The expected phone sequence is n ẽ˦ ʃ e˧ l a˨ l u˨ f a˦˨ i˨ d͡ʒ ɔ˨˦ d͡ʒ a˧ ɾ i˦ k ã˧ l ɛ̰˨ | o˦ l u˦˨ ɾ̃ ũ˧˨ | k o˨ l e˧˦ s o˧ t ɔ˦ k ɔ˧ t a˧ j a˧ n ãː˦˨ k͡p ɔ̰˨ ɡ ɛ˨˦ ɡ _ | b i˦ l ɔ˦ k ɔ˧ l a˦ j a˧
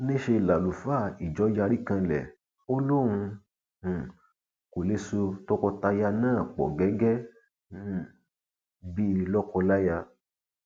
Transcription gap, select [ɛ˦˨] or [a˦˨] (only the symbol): ɛ˦˨